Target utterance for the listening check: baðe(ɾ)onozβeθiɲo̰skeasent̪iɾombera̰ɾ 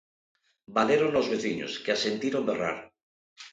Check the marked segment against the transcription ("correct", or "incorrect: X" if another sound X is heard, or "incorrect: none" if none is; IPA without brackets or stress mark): correct